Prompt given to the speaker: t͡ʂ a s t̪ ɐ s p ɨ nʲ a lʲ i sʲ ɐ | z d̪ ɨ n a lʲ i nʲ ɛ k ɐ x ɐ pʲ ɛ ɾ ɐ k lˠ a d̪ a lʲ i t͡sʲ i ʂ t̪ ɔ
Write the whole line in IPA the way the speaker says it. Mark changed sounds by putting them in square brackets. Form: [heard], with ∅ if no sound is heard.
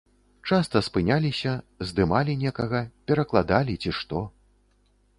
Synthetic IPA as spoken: t͡ʂ a s t̪ ɐ s p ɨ nʲ a lʲ i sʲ ɐ | z d̪ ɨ [m] a lʲ i nʲ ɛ k ɐ [ɣ] ɐ pʲ ɛ ɾ ɐ k lˠ a d̪ a lʲ i t͡sʲ i ʂ t̪ ɔ

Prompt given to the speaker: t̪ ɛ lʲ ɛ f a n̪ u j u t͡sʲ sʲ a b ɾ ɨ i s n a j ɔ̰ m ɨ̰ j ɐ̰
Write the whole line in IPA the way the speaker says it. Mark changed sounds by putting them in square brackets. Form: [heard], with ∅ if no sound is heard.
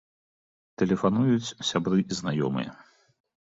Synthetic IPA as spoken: t̪ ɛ lʲ ɛ f a n̪ u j u t͡sʲ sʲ a b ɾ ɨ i [z] n a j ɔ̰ m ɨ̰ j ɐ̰

